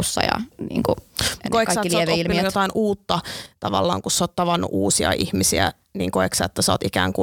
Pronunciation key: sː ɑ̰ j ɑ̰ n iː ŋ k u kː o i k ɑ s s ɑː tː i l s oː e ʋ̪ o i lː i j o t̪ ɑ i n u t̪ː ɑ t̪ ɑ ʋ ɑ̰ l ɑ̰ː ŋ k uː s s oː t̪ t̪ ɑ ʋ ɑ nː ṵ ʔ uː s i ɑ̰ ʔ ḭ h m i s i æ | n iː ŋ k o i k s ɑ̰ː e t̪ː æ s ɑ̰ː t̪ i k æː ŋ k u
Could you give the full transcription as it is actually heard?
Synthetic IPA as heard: sː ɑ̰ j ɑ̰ n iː ŋ k u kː o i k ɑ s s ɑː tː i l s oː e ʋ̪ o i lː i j o t̪ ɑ i n uː t̪ː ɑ t̪ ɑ ʋ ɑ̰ lː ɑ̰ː ŋ k u s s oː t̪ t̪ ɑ ʋ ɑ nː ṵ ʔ uː s i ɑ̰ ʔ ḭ h m i s i æ | n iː ŋ k o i k s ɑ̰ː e t̪ː æ s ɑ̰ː t̪ i k æː ŋ k u